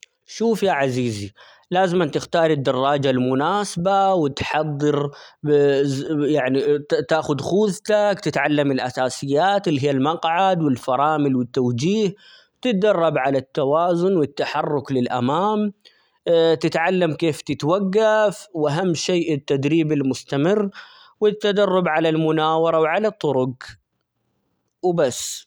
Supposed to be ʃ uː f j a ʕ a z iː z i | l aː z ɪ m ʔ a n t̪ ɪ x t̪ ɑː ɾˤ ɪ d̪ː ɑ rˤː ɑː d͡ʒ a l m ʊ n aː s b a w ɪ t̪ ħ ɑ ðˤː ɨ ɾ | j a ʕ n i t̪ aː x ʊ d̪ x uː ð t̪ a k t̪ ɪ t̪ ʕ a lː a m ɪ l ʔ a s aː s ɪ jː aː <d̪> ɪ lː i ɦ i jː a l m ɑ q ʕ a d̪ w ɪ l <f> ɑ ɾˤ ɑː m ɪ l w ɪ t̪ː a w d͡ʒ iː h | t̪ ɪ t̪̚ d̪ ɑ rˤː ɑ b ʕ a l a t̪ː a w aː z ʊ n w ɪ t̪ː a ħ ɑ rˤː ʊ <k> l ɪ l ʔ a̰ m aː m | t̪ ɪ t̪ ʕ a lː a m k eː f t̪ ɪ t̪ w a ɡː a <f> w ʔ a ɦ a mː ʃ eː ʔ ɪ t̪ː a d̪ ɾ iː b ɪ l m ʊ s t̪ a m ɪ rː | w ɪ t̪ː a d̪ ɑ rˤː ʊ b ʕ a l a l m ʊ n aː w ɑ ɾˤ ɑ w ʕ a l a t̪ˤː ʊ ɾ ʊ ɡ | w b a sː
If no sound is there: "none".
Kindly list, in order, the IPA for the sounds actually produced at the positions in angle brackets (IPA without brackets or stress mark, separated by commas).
t̪, f, k, f